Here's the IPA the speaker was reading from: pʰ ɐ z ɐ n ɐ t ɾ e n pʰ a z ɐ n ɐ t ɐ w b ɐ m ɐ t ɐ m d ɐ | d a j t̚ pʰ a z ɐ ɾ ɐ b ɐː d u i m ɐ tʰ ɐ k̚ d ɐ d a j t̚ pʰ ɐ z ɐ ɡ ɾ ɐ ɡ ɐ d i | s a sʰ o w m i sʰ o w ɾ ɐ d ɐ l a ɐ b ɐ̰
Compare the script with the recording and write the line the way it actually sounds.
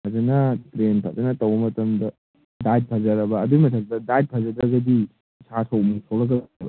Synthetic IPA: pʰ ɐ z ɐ n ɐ t ɾ e n pʰ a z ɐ n ɐ t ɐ w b ɐ m ɐ t ɐ m d ɐ | d a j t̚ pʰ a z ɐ ɾ ɐ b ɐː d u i m ɐ tʰ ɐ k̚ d ɐ d a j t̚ pʰ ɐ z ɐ d ɾ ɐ ɡ ɐ d i | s a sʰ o w m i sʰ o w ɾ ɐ ɡ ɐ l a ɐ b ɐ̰